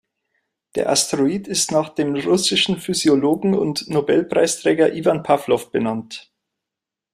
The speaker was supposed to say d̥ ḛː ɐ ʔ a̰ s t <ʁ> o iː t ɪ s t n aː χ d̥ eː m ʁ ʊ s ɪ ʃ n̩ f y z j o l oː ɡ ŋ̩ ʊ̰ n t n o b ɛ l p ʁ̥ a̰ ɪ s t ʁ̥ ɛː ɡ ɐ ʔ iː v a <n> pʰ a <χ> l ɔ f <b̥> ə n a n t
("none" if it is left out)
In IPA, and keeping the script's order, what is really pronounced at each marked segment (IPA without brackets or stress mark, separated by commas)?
ʁ, n, f, b̥